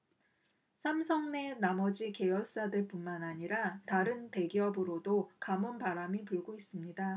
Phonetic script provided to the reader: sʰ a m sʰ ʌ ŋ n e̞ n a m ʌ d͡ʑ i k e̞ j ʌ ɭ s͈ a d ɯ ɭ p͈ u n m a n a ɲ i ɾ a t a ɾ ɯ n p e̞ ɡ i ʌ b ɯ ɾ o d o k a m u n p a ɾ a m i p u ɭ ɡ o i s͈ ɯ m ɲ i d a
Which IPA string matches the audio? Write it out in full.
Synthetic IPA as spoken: sʰ a m sʰ ʌ ŋ n e̞ n a m ʌ d͡ʑ i k e̞ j ʌ ɭ s͈ a d ɯ ɭ p͈ u n m a n a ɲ i ɾ a t a ɾ ɯ n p e̞ ɡ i ʌ b ɯ ɾ o d o k a m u n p a ɾ a m i p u ɭ ɡ o i s͈ ɯ m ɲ i d a

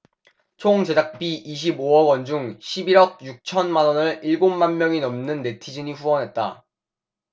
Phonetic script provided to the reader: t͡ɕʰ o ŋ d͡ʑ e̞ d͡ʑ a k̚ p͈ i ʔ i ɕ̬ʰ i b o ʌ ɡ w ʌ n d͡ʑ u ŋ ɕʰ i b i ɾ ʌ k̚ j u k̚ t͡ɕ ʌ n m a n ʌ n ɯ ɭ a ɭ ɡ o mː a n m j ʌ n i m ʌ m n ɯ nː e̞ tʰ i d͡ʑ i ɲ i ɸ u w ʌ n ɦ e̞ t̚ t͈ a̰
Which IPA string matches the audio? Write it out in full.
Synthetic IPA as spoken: t͡ɕʰ o ŋ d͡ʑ e̞ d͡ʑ a k̚ p͈ i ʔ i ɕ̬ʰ i b o ʌ ɡ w ʌ n d͡ʑ u ŋ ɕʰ i b i ɾ ʌ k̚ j u k̚ t͡ɕʰ ʌ n m a n ʌ n ɯ ɭ i ɭ ɡ o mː a n m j ʌ ŋ i n ʌ m n ɯ nː e̞ tʰ i d͡ʑ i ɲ i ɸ u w ʌ n ɦ e̞ t̚ t͈ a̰

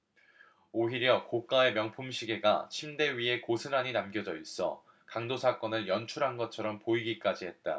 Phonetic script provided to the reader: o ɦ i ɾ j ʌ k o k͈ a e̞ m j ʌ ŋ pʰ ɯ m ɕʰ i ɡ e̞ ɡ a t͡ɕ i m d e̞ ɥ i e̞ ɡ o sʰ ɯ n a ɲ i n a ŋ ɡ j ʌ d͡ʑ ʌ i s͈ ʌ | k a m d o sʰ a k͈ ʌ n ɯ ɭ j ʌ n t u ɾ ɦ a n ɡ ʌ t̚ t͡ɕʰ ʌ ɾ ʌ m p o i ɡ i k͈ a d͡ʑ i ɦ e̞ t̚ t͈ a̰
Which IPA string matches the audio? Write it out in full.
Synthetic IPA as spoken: o ɦ i ɾ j ʌ k o k͈ a e̞ m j ʌ ŋ pʰ u m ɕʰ i ɡ e̞ ɡ a t͡ɕʰ i m d e̞ ɥ i e̞ k o sʰ ɯ n a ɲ i n a m ɡ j ʌ d͡ʑ ʌ i s͈ ʌ | k a ŋ d o sʰ a k͈ ʌ n ɯ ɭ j ʌ n t͡ɕʰ u ɾ ɦ a n ɡ ʌ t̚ t͡ɕʰ ʌ ɾ ʌ m p o i ɡ i k͈ a d͡ʑ i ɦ e̞ t̚ t͈ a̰

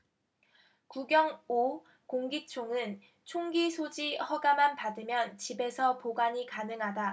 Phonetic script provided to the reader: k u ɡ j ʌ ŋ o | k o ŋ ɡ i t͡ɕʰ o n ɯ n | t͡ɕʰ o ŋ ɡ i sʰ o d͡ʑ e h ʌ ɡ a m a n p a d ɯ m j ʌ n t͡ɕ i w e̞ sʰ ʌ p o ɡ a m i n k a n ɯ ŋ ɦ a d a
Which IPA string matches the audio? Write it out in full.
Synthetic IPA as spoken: k u ɡ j ʌ ŋ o | k o ŋ ɡ i t͡ɕʰ o ŋ ɯ n | t͡ɕʰ o ŋ ɡ i sʰ o d͡ʑ i h ʌ ɡ a m a n p a d ɯ m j ʌ n t͡ɕ i b e̞ sʰ ʌ p o ɡ a ɲ i k a n ɯ ŋ ɦ a d a

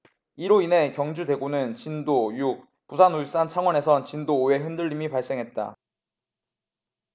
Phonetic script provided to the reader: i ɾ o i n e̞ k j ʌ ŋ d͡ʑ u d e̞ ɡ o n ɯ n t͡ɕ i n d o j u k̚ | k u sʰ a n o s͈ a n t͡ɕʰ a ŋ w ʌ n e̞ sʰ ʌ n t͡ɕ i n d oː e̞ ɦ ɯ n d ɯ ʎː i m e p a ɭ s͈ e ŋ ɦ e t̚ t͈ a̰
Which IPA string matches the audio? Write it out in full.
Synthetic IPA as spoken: i ɾ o i n e̞ k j ʌ ŋ d͡ʑ u d e̞ ɡ o n ɯ n t͡ɕ i n d o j u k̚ | p u sʰ a n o s͈ a n t͡ɕʰ a ŋ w ʌ n e̞ sʰ ʌ n t͡ɕ i n d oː e̞ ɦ ɯ n d ɯ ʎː i m i p a ɭ s͈ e ŋ ɦ e t̚ t͈ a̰

